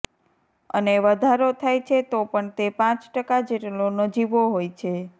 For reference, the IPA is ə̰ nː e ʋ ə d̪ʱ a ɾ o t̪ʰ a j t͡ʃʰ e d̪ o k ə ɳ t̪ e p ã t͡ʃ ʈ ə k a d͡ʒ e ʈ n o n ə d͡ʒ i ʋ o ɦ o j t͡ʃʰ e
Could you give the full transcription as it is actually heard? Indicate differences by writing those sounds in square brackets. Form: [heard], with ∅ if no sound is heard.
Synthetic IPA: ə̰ [n] e ʋ ə d̪ʱ a ɾ o t̪ʰ a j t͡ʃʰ e [t̪] o [p] ə ɳ t̪ e p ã t͡ʃ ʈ ə k a d͡ʒ e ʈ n o n ə d͡ʒ i ʋ o ɦ o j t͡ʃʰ e